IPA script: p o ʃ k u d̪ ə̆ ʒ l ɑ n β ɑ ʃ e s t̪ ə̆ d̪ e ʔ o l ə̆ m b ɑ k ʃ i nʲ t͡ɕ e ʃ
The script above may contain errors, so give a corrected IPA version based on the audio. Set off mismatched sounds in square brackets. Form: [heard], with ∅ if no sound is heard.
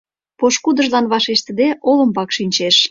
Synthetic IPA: p o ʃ k u d̪ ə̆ ʒ l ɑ n β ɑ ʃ e [ʃ] t̪ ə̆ d̪ e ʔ o l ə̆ m b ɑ k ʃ i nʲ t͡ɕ e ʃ